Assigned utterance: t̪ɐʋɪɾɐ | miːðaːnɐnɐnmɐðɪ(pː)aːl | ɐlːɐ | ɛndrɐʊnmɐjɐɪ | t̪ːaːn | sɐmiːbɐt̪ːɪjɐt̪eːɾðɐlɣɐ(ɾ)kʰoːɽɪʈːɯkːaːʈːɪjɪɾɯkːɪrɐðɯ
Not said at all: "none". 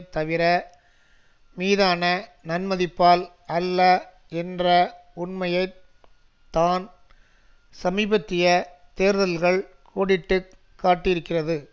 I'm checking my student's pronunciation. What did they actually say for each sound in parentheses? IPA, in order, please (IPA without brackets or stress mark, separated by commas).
pː, ɭ